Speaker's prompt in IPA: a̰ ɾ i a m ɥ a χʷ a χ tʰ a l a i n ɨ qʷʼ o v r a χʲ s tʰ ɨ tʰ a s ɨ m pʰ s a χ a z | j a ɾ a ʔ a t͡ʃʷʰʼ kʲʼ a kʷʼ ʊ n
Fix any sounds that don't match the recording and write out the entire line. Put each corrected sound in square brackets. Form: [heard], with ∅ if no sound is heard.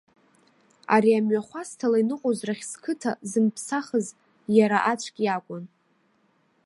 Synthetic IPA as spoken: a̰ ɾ i a m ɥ a χʷ a [s] tʰ a l a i n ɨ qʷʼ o [z] r a χʲ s [kʰ] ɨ tʰ a [z] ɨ m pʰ s a χ [ə] z | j a ɾ a ʔ a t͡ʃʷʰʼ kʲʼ a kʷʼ ʊ n